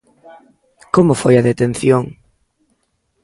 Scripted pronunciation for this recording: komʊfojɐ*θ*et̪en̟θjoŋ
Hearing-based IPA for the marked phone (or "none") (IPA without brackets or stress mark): ð